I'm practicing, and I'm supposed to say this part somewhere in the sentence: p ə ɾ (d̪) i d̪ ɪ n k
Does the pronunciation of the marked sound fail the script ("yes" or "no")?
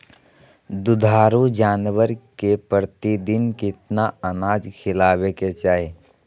yes